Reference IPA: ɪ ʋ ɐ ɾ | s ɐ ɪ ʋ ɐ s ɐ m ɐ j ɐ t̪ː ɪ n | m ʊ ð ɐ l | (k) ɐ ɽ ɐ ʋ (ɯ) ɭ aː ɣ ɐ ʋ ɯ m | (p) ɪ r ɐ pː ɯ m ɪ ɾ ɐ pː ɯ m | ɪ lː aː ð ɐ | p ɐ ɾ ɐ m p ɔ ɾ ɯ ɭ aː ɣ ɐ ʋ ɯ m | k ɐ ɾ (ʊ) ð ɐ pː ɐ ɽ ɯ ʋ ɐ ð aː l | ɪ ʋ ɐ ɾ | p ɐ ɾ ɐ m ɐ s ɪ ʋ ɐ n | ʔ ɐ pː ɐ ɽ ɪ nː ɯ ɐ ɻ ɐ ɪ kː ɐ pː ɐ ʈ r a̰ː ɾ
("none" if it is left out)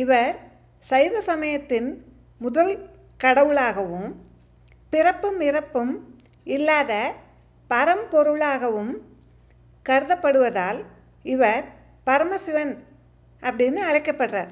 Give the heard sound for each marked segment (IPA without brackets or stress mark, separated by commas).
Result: k, ɯ, p, ɯ